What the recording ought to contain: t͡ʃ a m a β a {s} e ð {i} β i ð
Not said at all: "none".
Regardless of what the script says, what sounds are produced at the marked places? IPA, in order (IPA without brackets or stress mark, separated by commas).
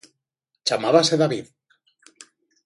s, a